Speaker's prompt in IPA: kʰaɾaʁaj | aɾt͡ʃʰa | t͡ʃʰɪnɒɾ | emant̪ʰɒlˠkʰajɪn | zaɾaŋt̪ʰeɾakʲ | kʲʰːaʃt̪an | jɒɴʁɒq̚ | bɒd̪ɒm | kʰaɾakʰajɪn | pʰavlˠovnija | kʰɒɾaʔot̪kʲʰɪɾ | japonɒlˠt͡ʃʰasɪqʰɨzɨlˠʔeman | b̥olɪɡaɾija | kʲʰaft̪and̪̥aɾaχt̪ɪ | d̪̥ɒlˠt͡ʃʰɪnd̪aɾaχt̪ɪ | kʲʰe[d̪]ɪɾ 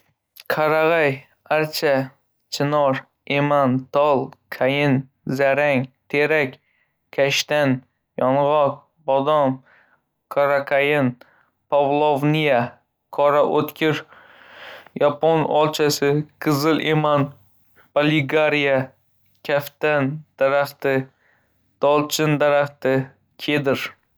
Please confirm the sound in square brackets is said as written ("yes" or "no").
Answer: yes